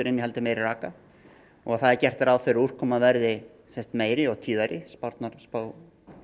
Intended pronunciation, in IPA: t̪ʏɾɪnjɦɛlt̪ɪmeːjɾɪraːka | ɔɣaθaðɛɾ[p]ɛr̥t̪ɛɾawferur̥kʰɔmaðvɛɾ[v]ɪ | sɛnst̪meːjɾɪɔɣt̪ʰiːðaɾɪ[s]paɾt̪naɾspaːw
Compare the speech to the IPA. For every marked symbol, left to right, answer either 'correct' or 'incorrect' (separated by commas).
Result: incorrect, incorrect, correct